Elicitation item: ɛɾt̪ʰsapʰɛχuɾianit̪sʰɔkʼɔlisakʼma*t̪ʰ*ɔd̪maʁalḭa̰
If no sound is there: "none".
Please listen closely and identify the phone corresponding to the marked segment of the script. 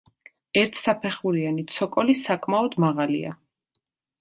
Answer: none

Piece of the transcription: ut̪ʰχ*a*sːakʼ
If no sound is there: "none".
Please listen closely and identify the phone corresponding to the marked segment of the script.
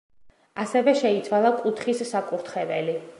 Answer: i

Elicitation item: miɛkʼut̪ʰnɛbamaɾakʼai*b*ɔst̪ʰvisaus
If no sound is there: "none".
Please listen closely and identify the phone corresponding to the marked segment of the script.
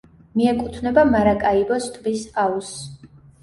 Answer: b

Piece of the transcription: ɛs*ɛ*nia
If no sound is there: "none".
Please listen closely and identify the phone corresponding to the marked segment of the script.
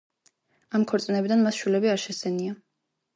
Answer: ɛ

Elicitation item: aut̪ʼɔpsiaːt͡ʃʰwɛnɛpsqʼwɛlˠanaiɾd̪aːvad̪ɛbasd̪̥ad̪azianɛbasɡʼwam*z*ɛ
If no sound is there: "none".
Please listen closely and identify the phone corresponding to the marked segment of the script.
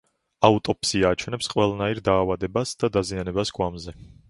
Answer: z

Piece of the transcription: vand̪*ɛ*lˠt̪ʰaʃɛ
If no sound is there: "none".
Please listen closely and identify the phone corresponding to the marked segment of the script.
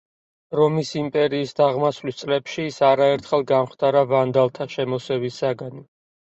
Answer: a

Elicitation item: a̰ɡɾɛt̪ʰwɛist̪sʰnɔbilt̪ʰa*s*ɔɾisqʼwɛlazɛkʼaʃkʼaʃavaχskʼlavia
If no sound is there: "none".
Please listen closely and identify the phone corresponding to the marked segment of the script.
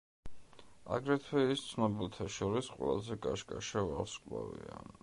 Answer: ʃ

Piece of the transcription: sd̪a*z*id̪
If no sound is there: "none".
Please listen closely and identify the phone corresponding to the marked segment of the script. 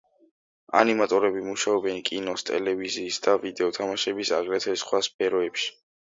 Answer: v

